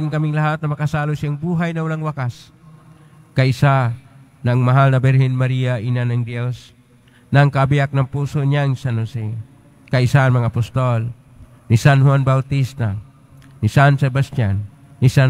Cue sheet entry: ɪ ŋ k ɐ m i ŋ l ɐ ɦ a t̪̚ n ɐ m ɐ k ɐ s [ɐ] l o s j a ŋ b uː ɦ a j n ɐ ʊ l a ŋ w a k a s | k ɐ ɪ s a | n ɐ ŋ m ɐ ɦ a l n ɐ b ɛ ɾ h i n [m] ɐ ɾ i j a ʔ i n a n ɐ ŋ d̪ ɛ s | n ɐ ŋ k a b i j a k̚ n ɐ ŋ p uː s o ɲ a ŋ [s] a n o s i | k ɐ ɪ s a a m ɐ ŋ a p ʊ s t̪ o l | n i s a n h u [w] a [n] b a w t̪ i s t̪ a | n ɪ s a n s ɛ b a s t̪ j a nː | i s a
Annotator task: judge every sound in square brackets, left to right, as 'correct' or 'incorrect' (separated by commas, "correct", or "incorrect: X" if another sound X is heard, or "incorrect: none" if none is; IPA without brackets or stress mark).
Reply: incorrect: a, correct, correct, correct, correct